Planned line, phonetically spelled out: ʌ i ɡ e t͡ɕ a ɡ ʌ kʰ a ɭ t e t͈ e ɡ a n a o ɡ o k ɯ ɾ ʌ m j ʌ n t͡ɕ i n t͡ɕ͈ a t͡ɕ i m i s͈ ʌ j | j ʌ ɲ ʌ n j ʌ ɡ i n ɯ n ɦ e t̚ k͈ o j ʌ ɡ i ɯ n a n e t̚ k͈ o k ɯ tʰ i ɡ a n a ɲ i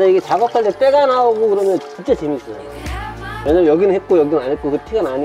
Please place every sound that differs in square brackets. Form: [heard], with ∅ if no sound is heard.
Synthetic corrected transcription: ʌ i ɡ e t͡ɕ a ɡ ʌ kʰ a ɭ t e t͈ e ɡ a n a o ɡ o k ɯ ɾ ʌ m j ʌ n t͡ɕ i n t͡ɕ͈ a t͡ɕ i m i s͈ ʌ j | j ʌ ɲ ʌ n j ʌ ɡ i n ɯ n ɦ e t̚ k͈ o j ʌ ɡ i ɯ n a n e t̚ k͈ o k ɯ tʰ i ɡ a n a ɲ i